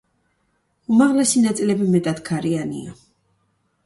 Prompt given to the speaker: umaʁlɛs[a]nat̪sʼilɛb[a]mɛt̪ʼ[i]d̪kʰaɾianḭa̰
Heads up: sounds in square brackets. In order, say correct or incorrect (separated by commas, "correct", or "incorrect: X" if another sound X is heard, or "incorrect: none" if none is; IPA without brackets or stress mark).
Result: incorrect: i, incorrect: i, incorrect: a